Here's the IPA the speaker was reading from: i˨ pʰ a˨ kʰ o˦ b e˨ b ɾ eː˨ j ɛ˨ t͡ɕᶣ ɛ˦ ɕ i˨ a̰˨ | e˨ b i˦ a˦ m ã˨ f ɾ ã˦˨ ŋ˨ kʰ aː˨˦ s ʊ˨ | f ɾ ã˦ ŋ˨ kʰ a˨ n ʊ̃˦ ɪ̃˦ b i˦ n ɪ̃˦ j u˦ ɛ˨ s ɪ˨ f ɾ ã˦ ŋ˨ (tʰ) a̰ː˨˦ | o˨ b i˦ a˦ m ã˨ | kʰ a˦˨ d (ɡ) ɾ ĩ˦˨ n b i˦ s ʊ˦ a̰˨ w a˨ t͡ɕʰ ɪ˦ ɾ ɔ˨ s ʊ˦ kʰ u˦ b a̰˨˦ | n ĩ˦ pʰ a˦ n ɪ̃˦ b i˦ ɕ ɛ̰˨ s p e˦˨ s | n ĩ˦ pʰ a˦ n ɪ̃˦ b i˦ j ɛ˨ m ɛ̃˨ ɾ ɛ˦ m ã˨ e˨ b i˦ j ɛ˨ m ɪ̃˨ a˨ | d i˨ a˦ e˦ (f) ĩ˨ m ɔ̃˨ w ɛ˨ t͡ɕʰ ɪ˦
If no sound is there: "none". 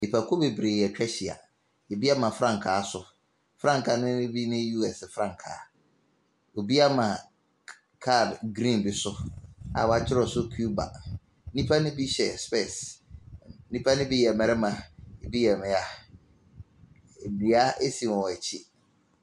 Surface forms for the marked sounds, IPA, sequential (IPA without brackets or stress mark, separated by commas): kʰ, ɡ, s